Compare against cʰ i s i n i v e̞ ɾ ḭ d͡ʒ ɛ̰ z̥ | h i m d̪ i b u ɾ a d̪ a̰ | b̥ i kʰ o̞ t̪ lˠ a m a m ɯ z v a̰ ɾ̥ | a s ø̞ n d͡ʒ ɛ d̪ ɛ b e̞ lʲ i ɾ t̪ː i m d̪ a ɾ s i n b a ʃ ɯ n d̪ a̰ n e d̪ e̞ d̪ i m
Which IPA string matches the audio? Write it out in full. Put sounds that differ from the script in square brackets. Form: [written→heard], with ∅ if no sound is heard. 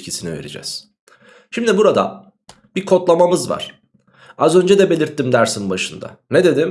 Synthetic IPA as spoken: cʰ i s i n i v e̞ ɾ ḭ d͡ʒ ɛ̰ z̥ | [h→ʃ] i m d̪ i b u ɾ a d̪ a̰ | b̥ i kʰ o̞ t̪ lˠ a m a m ɯ z v a̰ ɾ̥ | a [s→z] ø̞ n d͡ʒ ɛ d̪ ɛ b e̞ lʲ i ɾ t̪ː i m d̪ [a→æ] ɾ s i n b a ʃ ɯ n d̪ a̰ n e d̪ e̞ d̪ i m